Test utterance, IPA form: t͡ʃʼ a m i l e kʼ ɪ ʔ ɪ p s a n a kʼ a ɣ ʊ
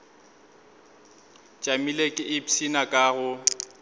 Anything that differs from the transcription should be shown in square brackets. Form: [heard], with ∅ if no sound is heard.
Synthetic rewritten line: t͡ʃʼ a m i l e kʼ ɪ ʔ ɪ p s [i] n a kʼ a ɣ ʊ

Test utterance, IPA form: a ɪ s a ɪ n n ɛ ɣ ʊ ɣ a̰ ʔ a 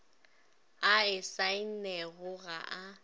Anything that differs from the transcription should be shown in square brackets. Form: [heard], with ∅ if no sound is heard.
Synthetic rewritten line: a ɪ s a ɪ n n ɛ ɣ ʊ ɣ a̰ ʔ a

